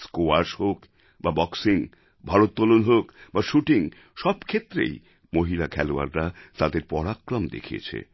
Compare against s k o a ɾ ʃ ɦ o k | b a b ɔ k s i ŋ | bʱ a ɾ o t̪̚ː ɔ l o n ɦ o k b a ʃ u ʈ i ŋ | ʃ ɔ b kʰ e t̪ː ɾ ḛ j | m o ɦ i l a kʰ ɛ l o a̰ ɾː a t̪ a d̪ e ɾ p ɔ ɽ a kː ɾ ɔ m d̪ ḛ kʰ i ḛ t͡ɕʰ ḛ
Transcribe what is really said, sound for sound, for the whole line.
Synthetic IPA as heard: s k o a ɾ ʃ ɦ o k | b a b ɔ k s i ŋ | bʱ a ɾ o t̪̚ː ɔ l o n ɦ o k b a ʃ u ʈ i ŋ | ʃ ɔ b kʰ e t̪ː ɾ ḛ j | m o ɦ i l a kʰ ɛ l o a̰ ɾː a t̪ a d̪ e ɾ p ɔ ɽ a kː ɾ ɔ m d̪ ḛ kʰ i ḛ t͡ɕʰ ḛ

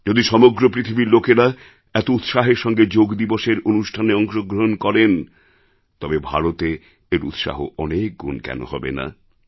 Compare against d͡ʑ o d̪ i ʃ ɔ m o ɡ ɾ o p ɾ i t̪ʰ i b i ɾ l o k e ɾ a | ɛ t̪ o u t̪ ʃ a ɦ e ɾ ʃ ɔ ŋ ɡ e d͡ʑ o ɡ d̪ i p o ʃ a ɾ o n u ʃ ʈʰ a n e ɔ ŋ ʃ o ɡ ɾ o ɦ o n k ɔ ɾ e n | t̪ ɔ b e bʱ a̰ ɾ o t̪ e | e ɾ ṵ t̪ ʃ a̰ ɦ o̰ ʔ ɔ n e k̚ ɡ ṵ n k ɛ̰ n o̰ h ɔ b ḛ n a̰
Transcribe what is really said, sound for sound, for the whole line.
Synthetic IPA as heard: d͡ʑ o d̪ i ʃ ɔ m o ɡ ɾ o p ɾ i t̪ʰ i b i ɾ l o k e ɾ a | ɛ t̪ o u t̪ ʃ a ɦ e ɾ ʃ ɔ ŋ ɡ e d͡ʑ o ɡ d̪ i b o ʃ e ɾ o n u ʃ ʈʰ a n e ɔ ŋ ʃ o ɡ ɾ o ɦ o n k ɔ ɾ e n | t̪ ɔ b e bʱ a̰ ɾ o t̪ e | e ɾ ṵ t̪ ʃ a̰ ɦ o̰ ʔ ɔ n e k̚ ɡ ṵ n k ɛ̰ n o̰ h ɔ b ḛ n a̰

